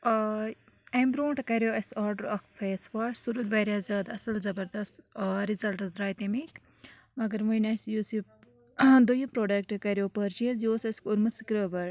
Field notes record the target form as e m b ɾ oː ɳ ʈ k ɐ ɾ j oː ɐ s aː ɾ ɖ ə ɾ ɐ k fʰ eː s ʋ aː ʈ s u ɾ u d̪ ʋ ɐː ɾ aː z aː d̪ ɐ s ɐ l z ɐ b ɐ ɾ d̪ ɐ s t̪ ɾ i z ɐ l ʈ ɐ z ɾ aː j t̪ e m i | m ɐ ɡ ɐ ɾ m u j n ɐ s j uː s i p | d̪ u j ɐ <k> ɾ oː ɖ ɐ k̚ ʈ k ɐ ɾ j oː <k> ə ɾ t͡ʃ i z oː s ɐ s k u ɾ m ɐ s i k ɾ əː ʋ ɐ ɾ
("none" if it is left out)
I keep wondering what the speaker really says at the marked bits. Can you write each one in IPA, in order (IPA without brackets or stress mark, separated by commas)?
p, p